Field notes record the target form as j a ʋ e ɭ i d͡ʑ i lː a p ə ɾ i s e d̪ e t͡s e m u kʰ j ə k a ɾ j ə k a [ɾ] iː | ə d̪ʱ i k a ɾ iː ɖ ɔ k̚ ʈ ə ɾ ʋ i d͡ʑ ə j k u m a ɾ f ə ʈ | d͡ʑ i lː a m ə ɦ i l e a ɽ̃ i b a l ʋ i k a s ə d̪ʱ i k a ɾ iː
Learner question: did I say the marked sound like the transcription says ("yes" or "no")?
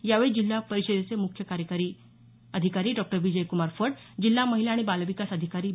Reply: yes